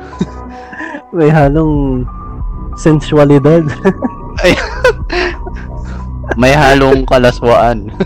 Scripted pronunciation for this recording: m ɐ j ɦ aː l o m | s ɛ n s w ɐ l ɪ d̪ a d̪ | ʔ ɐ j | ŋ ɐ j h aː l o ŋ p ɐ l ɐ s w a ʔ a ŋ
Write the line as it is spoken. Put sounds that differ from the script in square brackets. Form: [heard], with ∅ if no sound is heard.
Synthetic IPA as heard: m ɐ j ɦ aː l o [ŋ] | s ɛ n s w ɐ l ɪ d̪ a d̪ | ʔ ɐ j | [m] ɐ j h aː l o ŋ [k] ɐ l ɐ s w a ʔ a [n]